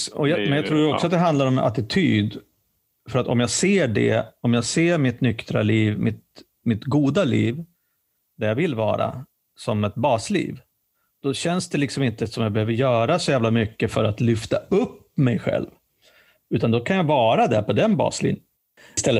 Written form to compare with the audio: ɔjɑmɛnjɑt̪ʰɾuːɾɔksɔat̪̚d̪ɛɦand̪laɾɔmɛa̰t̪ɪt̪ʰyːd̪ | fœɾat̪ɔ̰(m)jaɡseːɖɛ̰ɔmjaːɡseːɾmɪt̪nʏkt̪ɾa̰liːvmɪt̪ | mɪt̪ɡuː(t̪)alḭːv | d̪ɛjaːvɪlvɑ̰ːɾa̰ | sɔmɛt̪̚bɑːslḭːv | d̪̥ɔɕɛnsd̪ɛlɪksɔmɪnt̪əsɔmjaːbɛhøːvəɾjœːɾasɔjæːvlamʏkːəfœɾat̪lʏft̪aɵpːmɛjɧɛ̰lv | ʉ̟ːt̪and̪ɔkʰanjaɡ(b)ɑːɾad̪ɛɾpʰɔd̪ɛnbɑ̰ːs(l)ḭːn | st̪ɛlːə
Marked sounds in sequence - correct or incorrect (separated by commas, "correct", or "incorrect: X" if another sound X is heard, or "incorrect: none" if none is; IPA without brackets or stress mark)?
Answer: correct, incorrect: d̪, incorrect: v, correct